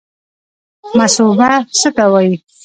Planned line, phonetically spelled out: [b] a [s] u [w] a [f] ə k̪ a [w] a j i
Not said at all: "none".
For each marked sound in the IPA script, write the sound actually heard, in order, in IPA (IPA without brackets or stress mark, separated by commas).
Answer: m, s, b, s, w